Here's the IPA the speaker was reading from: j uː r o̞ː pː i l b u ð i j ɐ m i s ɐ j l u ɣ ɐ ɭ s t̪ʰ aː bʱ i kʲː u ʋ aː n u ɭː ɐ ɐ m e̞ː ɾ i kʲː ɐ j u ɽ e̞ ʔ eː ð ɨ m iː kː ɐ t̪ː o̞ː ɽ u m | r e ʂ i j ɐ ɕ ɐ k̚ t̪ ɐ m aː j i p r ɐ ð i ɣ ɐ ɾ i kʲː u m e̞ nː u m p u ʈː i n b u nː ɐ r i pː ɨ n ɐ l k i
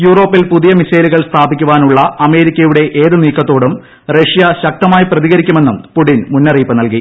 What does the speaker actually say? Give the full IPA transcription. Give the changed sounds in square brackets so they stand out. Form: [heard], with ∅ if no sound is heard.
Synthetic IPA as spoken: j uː r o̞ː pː i l [p] u ð i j ɐ m i s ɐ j l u ɣ ɐ ɭ s t̪ʰ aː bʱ i kʲː u ʋ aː n u ɭː ɐ ɐ m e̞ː ɾ i kʲː ɐ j u ɽ e̞ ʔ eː ð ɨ [n] iː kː ɐ t̪ː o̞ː ɽ u m | r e ʂ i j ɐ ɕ ɐ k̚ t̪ ɐ m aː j i p r ɐ ð i ɣ ɐ ɾ i kʲː u m e̞ nː u m p u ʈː i n [m] u nː ɐ r [iː] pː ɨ n ɐ l k i